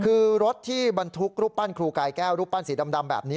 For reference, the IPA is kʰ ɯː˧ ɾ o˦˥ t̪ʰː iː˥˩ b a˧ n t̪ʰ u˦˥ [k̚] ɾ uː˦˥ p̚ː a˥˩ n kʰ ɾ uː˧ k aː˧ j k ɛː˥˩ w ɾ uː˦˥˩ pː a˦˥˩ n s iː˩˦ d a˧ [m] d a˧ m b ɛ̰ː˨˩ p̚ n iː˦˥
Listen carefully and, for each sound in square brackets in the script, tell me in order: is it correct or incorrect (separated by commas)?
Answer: correct, correct